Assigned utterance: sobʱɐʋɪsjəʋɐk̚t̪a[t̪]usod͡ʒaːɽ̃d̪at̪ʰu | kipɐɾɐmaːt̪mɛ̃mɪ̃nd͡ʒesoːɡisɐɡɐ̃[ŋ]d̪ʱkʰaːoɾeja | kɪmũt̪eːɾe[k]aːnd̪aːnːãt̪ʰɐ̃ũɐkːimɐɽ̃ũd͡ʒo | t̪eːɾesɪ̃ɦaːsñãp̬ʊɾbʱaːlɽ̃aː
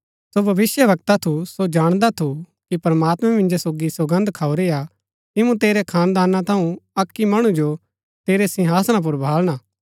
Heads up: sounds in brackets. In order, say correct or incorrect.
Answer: incorrect: t̪ʰ, incorrect: n, incorrect: kʰ

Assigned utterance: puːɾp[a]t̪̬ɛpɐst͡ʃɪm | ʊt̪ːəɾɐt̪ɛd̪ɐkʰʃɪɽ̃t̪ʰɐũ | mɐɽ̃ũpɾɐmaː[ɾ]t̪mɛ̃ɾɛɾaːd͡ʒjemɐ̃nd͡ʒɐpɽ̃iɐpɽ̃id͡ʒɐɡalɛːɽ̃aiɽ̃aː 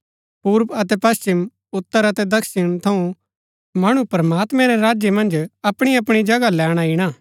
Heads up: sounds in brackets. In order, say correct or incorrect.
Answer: incorrect: ɐ, incorrect: none

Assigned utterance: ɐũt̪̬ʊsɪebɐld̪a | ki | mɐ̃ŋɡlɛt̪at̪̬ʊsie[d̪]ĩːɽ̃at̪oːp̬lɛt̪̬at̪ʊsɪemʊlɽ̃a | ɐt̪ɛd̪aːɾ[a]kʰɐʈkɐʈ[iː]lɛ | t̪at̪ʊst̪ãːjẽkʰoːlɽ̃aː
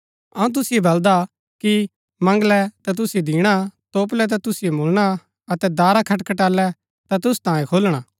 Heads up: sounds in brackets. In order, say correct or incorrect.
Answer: correct, correct, incorrect: aː

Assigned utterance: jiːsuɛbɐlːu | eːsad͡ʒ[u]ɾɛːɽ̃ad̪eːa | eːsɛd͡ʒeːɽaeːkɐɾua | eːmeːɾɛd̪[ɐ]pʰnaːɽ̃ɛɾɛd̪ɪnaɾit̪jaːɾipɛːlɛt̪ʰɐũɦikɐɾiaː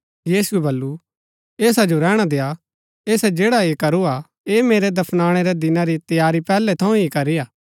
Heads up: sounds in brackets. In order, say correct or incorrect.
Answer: incorrect: o, correct

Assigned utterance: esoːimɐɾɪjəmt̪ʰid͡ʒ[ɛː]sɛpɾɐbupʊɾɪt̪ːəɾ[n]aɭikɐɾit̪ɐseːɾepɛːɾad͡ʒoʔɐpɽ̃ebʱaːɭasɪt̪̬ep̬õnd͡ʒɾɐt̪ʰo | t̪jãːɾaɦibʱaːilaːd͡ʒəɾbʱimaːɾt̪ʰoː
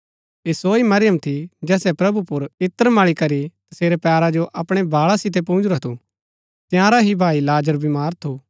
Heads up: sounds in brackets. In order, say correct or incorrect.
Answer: correct, incorrect: m

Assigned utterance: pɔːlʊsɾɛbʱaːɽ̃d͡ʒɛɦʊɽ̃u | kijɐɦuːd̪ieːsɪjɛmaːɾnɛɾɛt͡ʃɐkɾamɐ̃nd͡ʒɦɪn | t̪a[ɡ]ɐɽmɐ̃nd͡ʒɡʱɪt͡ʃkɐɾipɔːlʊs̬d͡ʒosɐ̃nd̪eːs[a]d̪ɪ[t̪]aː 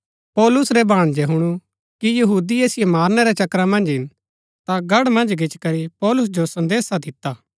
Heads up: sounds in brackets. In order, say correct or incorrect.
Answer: correct, correct, correct

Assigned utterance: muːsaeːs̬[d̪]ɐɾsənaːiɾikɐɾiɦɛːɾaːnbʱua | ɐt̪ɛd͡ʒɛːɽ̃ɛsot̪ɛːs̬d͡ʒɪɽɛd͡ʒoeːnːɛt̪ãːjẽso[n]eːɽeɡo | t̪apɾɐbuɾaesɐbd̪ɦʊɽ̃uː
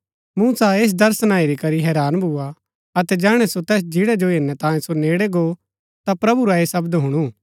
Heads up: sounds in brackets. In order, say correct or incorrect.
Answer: correct, correct

